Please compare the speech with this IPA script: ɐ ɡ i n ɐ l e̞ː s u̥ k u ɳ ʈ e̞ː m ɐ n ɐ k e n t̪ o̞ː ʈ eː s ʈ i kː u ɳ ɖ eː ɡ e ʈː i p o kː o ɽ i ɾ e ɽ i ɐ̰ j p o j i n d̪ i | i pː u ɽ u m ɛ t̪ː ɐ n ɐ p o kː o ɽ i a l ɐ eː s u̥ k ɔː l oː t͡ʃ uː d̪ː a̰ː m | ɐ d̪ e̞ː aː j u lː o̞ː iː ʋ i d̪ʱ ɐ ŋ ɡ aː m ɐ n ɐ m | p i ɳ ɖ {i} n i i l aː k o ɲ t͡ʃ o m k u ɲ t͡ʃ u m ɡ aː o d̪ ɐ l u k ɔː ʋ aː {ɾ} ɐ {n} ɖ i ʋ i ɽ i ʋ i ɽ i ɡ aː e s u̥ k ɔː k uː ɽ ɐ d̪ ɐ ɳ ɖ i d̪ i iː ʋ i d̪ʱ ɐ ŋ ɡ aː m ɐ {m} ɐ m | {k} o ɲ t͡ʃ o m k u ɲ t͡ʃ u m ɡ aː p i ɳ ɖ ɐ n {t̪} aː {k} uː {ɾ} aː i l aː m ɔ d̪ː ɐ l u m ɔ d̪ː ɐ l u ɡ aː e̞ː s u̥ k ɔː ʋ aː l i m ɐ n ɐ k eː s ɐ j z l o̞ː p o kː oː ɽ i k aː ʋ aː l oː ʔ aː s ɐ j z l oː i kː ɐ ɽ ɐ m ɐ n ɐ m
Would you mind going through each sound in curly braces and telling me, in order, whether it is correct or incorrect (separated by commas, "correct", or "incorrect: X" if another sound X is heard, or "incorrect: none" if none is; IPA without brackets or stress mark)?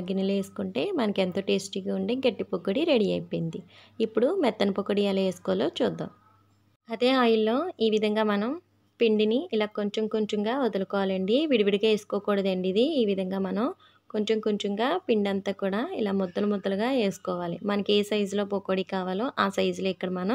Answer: correct, incorrect: l, incorrect: ɳ, incorrect: n, correct, correct, correct, incorrect: ɽ